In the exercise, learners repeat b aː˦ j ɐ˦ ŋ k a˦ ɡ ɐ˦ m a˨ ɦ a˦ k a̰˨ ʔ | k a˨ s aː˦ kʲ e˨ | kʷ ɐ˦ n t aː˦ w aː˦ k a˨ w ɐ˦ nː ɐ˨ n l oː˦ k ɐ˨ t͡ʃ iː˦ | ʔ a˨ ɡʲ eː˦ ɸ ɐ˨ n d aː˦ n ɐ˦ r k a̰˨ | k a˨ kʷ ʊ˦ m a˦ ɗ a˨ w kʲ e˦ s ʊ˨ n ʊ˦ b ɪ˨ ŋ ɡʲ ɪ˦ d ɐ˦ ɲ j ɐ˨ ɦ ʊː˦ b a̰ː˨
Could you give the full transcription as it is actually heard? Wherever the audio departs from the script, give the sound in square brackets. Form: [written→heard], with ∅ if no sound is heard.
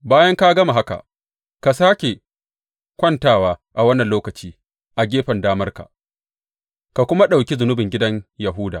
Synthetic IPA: b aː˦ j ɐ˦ ŋ k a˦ ɡ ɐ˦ m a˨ ɦ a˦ k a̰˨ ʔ | k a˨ s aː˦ kʲ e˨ | kʷ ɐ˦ n t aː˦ w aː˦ [k→ʔ] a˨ w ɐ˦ nː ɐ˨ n l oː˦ k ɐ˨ t͡ʃ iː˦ | ʔ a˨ ɡʲ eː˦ ɸ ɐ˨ n d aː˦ [n→m] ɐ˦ r k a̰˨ | k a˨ kʷ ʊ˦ m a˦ ɗ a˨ w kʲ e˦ [s→z] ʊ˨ n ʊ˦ b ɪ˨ ŋ ɡʲ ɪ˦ d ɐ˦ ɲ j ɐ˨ ɦ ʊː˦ [b→d] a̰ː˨